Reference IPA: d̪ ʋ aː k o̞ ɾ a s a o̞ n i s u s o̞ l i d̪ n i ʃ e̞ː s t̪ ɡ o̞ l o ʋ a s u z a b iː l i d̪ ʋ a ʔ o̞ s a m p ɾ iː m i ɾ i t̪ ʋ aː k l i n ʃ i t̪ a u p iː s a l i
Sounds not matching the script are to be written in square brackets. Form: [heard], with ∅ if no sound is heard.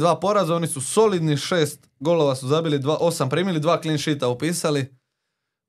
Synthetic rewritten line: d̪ ʋ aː [p] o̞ ɾ a [z] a o̞ n i s u s o̞ l i d̪ n i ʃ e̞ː s t̪ ɡ o̞ l o ʋ a s u z a b [i] l i d̪ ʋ a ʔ o̞ s a m p ɾ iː m i [l] i [d̪] ʋ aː k l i n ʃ i t̪ a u p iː s a l i